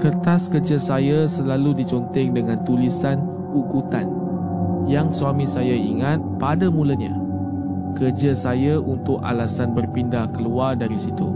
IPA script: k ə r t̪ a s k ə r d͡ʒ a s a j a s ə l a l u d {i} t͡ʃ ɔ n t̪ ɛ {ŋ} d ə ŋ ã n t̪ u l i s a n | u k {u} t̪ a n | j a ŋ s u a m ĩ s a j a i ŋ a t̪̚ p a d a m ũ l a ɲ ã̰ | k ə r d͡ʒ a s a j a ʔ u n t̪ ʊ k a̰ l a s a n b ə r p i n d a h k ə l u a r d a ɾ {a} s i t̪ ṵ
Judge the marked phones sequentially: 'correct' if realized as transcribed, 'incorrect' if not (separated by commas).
correct, correct, correct, incorrect